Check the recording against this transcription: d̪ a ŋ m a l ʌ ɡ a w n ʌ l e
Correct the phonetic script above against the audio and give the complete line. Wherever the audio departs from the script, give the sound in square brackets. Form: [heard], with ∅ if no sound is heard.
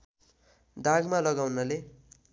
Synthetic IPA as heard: d̪ a [ɡ] m a l ʌ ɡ a w n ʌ l e